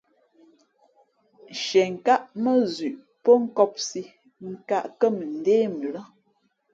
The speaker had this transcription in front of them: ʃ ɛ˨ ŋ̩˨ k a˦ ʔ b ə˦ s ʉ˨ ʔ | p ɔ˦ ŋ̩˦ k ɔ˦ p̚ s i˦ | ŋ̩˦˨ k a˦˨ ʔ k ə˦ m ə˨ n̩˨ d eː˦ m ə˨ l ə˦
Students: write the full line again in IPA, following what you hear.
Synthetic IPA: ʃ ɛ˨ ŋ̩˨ k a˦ ʔ m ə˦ z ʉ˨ ʔ | p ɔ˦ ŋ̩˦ k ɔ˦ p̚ s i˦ | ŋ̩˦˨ k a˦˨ ʔ k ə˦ m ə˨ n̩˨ d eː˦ m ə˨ l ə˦